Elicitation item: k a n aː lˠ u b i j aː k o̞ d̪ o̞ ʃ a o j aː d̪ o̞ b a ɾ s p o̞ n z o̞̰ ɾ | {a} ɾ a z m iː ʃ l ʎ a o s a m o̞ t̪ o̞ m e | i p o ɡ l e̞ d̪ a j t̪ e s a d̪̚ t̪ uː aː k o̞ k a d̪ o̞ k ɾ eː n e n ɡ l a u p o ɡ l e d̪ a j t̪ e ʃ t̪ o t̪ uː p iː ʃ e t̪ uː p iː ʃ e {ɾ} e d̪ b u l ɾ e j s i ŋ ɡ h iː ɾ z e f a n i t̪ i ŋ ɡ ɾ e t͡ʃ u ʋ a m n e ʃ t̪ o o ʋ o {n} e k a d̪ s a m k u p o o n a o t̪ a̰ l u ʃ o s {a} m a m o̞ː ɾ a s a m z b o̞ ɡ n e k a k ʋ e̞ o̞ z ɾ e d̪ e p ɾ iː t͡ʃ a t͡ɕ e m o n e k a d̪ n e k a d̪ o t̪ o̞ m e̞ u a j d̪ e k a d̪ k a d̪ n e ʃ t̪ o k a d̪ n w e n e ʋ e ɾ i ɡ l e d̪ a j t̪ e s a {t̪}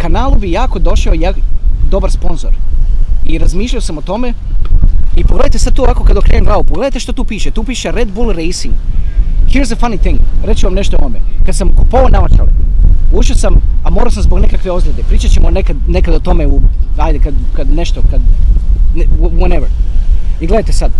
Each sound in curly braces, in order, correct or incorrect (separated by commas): incorrect, correct, incorrect, correct, incorrect